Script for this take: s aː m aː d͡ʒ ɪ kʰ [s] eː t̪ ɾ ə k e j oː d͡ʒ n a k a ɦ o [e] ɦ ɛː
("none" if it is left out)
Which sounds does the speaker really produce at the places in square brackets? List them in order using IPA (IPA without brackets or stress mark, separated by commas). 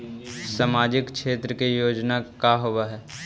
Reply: ʃ, a